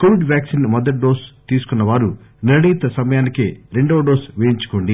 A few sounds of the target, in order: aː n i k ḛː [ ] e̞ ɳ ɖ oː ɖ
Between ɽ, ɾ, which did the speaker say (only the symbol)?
ɾ